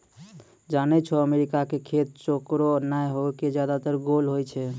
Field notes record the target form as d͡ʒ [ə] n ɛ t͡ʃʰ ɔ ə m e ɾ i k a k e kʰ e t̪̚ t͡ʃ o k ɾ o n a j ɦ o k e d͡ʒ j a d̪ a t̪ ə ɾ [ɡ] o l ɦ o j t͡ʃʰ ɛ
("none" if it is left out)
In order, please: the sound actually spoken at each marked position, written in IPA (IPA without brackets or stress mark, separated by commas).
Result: a, ɡ